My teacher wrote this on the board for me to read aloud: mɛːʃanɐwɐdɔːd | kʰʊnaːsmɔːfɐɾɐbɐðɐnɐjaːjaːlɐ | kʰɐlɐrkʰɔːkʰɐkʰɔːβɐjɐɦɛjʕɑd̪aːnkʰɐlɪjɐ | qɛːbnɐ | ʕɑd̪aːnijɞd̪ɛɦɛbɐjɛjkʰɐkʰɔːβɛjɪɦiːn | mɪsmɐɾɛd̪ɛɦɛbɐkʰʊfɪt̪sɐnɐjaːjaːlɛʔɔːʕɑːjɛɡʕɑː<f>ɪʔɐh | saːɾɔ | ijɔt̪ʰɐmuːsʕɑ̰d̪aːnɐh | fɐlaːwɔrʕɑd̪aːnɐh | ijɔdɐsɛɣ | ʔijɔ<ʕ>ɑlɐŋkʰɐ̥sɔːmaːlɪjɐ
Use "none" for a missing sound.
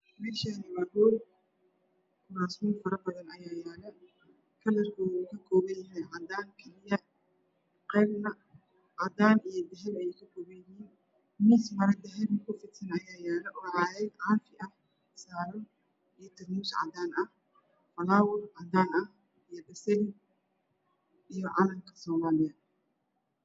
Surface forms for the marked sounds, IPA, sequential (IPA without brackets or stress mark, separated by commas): f, ʕ